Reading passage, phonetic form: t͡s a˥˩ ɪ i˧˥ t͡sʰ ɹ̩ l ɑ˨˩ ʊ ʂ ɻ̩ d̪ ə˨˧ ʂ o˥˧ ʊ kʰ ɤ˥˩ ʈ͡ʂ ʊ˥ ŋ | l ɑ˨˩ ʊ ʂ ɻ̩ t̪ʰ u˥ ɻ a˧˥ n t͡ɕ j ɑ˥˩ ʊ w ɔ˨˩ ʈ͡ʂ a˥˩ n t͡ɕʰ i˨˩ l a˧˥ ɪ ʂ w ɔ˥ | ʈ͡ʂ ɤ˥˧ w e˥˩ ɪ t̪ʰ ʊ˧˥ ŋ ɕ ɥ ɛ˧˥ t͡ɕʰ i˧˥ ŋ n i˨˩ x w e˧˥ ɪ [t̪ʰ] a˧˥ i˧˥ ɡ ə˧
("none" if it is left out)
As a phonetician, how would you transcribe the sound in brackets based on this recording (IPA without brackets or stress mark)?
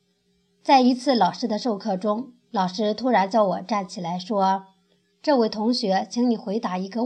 t̪